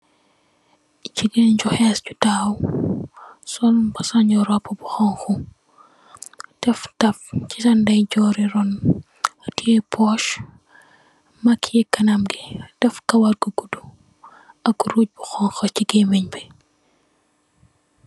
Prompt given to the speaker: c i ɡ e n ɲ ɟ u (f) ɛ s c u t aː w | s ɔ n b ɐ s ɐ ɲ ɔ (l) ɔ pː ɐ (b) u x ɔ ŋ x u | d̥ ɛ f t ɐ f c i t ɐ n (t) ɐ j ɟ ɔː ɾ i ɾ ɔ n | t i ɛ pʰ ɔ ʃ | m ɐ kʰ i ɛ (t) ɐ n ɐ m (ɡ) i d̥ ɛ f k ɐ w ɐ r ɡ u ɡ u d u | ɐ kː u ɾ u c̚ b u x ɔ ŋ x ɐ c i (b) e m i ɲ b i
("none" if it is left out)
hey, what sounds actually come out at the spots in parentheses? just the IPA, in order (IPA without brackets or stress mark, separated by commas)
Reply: x, ɾ, b, d, k, ɡ, ɡ